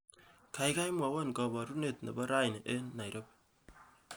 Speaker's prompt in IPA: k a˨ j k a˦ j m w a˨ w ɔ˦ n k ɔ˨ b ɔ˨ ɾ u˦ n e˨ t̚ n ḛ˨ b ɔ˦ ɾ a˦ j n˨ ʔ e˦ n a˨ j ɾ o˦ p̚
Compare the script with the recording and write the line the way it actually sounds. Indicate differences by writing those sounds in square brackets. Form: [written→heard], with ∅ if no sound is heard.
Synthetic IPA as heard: k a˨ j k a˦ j m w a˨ w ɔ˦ n k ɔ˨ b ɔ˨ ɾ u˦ n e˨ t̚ n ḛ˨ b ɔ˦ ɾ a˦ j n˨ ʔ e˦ n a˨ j ɾ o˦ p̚